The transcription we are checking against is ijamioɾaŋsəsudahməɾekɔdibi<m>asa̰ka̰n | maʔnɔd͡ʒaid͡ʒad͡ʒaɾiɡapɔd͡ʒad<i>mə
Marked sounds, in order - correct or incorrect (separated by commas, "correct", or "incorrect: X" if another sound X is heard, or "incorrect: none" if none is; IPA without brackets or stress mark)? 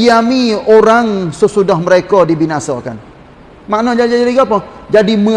incorrect: n, correct